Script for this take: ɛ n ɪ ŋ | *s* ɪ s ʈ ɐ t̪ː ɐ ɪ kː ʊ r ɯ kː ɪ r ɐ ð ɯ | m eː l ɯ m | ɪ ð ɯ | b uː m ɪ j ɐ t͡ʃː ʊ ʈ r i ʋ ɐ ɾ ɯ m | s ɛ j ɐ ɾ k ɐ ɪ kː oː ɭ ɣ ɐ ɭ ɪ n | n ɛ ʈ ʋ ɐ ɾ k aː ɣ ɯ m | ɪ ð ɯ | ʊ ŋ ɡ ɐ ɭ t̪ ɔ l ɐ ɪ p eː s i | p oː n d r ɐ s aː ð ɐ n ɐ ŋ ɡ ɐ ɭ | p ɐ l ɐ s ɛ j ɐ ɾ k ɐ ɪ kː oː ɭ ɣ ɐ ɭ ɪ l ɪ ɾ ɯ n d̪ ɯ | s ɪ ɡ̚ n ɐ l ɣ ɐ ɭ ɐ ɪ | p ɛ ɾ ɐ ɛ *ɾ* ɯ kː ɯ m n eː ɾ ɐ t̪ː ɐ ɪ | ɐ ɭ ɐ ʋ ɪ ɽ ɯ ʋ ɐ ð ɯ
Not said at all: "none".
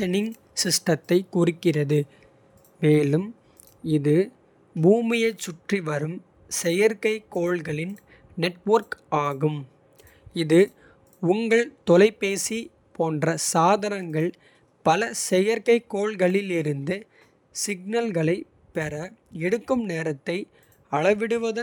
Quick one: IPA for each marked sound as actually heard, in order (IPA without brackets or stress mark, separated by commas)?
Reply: s, ɽ